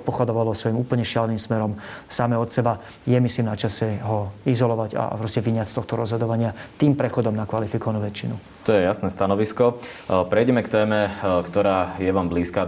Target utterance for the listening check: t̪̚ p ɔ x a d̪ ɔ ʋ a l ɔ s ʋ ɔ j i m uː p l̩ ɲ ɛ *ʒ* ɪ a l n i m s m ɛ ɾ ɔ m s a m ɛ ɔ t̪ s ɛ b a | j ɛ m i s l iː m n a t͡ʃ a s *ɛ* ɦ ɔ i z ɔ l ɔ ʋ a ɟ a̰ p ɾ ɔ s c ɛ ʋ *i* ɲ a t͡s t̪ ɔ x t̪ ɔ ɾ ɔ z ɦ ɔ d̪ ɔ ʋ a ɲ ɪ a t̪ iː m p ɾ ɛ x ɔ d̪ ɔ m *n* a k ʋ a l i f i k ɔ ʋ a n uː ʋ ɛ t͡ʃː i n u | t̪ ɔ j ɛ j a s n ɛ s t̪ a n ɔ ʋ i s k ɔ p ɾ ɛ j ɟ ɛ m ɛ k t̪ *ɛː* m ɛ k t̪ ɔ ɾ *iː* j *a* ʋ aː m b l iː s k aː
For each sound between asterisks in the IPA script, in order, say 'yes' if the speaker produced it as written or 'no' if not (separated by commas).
no, yes, yes, yes, yes, no, no